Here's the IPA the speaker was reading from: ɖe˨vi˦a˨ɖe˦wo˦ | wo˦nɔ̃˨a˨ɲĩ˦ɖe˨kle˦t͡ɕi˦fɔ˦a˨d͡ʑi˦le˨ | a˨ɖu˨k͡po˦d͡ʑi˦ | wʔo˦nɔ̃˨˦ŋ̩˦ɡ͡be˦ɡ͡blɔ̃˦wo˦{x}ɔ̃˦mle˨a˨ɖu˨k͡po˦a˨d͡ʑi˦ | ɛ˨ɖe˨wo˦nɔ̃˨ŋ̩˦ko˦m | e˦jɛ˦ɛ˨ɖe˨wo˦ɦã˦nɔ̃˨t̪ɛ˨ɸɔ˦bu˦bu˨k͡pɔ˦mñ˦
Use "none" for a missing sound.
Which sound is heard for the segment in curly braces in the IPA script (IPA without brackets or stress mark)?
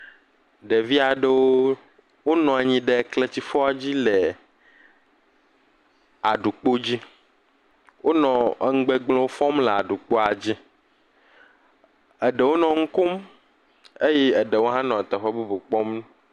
f